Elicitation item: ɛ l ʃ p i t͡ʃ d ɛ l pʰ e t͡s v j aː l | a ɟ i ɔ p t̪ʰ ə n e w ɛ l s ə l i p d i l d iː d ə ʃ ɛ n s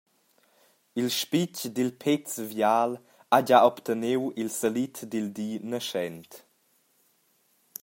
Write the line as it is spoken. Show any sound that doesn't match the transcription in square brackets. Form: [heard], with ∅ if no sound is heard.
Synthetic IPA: [i] l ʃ p i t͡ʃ d [i] l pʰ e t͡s v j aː l | a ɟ [a] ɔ p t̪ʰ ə n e w [i] l s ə l i [t] d i l d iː [n] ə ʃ ɛ n [t]